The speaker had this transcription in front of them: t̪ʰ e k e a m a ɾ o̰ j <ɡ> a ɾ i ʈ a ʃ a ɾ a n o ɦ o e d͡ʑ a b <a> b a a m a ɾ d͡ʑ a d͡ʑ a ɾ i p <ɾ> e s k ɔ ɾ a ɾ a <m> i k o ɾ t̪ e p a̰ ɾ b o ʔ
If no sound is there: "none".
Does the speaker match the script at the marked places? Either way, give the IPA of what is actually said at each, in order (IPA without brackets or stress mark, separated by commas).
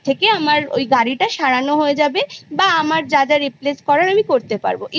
ɡ, e, l, m